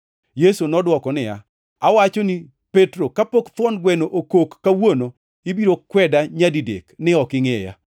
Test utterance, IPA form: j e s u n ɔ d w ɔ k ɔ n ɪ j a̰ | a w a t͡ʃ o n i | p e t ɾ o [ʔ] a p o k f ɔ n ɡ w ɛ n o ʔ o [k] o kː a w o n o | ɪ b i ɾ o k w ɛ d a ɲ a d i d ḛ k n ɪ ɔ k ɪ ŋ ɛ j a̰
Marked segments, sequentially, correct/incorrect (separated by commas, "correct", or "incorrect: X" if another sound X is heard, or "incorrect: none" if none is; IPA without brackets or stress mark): incorrect: k, correct